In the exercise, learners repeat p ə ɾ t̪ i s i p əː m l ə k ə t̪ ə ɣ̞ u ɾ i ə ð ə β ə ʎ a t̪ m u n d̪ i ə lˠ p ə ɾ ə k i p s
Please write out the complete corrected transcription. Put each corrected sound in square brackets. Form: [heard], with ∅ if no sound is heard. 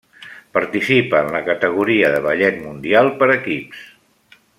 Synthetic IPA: p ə ɾ t̪ i s i p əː [n] l ə k ə t̪ ə ɣ̞ u ɾ i ə ð ə β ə ʎ [ɛ] t̪ m u n d̪ i [a] lˠ p ə ɾ ə k i p s

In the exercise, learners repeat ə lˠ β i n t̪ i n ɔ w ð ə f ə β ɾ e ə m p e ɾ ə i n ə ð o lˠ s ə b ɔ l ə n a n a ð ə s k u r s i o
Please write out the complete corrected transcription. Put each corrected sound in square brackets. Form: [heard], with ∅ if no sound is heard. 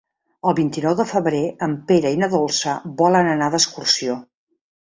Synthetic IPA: ə lˠ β i n t̪ i n ɔ w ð ə f ə β ɾ e ə m p e ɾ ə i n ə ð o lˠ s ə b ɔ l ə n [ə] n a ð ə s k u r s i o

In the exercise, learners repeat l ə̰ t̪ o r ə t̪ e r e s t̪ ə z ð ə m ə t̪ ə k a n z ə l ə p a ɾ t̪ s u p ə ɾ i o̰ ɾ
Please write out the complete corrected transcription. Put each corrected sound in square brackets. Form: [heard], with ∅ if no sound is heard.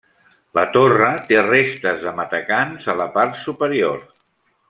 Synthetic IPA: l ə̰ t̪ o r ə t̪ e r e s t̪ ə z ð ə m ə t̪ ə k a n z ə l ə p a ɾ t̪ s u p ə ɾ i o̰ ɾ

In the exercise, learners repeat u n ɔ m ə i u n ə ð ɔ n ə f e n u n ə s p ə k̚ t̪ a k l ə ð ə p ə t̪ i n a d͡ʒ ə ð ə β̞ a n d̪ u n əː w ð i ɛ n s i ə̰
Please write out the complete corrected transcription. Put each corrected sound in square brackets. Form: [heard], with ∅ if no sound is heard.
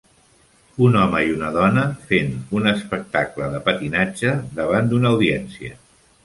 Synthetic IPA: u n ɔ m ə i u n ə ð ɔ n ə f e n u n ə s p ə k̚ t̪ a k l ə ð ə p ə t̪ i n a d͡ʒ ə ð ə β̞ a n d̪ u n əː w ð i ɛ n s i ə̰

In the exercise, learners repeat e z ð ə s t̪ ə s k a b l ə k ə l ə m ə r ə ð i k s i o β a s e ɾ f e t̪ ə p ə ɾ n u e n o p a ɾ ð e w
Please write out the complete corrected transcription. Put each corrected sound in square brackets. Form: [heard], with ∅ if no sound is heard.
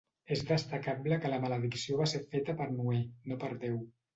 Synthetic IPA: e z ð ə s t̪ ə [∅] k a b l ə k ə l ə m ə [l] ə ð i k s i o β a s e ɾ f e t̪ ə p ə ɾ n u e n o p [ə] ɾ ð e w

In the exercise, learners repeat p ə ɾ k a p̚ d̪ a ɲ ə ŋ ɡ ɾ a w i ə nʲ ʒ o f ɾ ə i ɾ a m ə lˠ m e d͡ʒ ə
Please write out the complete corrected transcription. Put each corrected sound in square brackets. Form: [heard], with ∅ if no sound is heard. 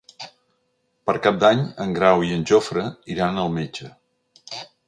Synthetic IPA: p ə ɾ k a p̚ d̪ a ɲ ə ŋ ɡ ɾ a w i ə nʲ ʒ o f ɾ ə i ɾ a [n] ə lˠ m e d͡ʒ ə

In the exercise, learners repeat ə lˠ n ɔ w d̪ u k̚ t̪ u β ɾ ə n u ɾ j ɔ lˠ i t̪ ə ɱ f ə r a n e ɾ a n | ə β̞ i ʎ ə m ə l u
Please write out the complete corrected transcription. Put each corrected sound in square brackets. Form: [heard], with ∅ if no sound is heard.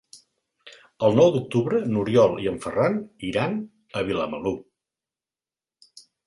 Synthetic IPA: ə lˠ n ɔ w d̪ u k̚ t̪ u β ɾ ə n u ɾ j ɔ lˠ i [∅] ə ɱ f ə r a n [i] ɾ a n | ə β̞ i [l] ə m ə l u

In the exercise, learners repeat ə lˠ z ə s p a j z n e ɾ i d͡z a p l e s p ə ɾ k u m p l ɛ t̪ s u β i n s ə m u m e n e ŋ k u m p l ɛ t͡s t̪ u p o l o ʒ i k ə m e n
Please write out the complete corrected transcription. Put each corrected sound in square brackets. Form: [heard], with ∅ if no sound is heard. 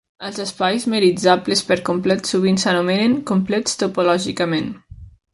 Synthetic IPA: ə lˠ z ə s p a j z [m] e ɾ i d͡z a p l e s p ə ɾ k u m p l ɛ t̪ s u β i n s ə [n] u m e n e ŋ k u m p l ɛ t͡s t̪ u p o l [ɔ] ʒ i k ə m e n

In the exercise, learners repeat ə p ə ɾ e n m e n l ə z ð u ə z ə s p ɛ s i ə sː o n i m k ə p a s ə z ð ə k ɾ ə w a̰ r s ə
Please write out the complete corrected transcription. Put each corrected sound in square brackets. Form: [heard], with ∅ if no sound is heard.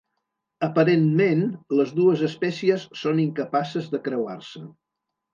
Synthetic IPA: ə p ə ɾ e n m e n l ə z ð u ə z ə s p ɛ s i ə sː o n i [ŋ] k ə p a s ə z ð ə k ɾ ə w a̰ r s ə

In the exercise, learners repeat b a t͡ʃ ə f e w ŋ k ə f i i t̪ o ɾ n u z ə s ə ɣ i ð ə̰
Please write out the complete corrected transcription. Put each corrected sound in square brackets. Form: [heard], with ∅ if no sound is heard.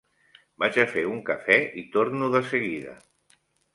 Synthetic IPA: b a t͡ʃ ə f e [u] ŋ k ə f [ɛ] i t̪ o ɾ n u [ð] ə s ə ɣ i ð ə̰

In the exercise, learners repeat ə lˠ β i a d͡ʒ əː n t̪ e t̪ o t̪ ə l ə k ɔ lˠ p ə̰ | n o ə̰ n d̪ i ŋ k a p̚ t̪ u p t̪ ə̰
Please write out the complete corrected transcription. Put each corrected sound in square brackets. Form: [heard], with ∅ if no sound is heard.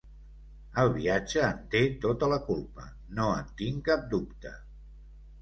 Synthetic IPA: ə lˠ β i a d͡ʒ əː n t̪ e t̪ o t̪ ə l ə k [u] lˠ p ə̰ | n o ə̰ n [t̪] i ŋ k a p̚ [d̪] u p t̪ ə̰

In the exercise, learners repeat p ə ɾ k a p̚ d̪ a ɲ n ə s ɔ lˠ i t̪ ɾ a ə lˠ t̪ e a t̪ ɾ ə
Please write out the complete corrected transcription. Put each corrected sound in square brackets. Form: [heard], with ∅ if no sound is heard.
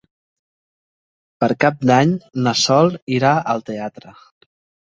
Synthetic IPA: p ə ɾ k a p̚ d̪ a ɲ n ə s ɔ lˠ i [∅] ɾ a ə lˠ t̪ e a t̪ ɾ ə

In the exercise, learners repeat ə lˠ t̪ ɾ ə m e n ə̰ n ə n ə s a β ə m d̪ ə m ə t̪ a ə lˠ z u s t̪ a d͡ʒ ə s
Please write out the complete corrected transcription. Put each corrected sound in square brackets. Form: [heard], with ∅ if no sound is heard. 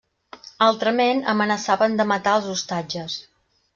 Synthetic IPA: [a] lˠ t̪ ɾ ə m e n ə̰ [m] ə n ə s a β ə [n] d̪ ə m ə t̪ a ə lˠ z u s t̪ a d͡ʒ ə s

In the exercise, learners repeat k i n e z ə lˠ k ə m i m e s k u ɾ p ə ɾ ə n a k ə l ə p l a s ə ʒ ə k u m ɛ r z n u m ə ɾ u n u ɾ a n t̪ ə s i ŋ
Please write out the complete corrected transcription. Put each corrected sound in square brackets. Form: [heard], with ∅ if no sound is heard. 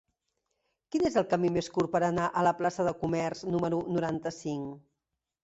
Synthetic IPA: k i n e z ə lˠ k ə m i m e s k u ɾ p ə ɾ ə n a [ʔ] ə l ə p l a s ə [ð] ə k u m ɛ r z n u m ə ɾ u n u ɾ a n t̪ ə s i ŋ

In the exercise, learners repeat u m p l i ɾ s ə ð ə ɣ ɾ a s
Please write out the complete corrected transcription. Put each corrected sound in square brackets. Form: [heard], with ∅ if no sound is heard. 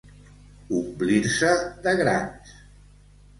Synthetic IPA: u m [b] l i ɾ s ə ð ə ɣ ɾ a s

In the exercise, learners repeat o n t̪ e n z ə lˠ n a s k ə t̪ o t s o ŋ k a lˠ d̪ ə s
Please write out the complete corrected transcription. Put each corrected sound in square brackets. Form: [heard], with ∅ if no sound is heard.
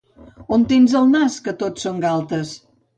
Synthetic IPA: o n t̪ e n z ə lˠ n a s k ə t̪ o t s o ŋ [ɡ] a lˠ [t̪] ə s

